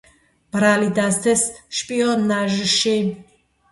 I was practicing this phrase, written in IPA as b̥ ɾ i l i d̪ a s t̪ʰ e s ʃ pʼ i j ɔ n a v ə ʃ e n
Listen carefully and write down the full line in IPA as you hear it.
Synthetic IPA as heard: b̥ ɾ a l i d̪ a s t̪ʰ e s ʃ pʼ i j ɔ n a ʒ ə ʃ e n